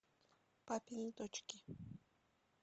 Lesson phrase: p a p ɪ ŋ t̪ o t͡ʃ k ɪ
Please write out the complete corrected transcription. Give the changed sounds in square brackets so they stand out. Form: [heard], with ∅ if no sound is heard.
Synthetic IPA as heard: p a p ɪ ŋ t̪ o t͡ʃ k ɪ